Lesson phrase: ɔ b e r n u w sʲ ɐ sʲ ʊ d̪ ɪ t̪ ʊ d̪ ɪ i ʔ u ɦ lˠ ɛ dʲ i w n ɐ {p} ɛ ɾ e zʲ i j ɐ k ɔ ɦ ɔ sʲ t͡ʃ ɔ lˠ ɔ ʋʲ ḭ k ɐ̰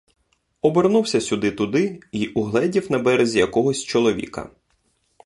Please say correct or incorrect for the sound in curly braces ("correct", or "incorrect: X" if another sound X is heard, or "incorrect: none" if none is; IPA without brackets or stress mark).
incorrect: b